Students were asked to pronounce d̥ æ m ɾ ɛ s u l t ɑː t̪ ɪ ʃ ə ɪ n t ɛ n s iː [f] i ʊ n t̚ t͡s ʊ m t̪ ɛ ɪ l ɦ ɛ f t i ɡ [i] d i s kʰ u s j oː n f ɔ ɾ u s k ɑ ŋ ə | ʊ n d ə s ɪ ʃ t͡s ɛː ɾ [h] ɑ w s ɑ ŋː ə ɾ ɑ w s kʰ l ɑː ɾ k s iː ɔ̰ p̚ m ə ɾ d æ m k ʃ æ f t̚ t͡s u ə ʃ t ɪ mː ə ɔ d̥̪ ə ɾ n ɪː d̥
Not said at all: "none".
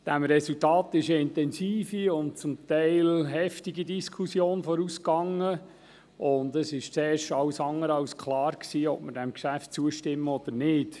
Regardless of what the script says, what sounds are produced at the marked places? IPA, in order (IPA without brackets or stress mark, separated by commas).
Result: f, i, ʃ